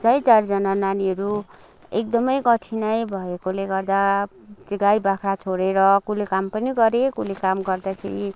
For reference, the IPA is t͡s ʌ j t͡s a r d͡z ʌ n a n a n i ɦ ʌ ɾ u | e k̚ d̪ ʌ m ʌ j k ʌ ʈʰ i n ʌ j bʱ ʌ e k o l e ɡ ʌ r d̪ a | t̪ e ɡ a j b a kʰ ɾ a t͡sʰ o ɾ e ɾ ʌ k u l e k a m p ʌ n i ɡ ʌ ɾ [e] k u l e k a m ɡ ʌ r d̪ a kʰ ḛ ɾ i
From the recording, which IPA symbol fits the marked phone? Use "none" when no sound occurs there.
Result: e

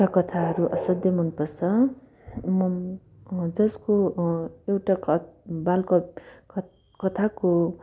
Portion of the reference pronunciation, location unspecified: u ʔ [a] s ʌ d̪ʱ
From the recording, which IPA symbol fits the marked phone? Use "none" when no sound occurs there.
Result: ʌ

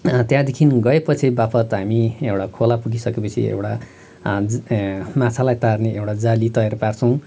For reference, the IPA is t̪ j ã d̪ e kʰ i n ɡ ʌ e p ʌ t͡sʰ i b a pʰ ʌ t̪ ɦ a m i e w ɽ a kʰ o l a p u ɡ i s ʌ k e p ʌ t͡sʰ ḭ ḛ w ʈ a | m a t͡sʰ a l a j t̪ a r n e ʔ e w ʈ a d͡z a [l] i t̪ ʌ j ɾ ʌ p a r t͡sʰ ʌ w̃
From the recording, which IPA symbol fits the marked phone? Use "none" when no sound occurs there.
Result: l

